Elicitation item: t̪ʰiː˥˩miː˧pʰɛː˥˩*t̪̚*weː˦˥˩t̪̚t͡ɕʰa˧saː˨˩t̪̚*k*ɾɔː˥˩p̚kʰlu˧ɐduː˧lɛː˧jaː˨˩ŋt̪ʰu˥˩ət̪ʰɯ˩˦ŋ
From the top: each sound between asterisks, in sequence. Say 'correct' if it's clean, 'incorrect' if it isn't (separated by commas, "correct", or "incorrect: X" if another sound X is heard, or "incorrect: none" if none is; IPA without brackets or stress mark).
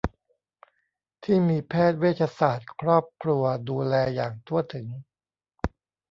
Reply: correct, incorrect: kʰ